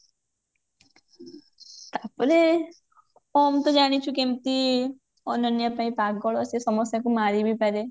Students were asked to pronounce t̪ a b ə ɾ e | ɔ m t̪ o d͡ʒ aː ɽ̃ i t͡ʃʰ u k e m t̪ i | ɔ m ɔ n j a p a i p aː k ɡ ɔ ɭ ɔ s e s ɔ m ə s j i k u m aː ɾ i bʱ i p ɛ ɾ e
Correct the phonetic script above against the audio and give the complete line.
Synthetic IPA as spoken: t̪ a p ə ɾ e | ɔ m t̪ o d͡ʒ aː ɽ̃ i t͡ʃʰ u k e m t̪ i | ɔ n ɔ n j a p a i p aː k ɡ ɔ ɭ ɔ s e s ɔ m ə s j a k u m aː ɾ i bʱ i p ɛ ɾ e